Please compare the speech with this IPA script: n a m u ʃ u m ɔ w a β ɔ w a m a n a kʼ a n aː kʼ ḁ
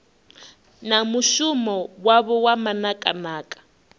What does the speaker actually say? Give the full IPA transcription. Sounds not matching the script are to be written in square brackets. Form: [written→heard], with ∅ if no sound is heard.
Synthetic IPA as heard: n a m u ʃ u m ɔ w a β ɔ w a m a n a kʼ a n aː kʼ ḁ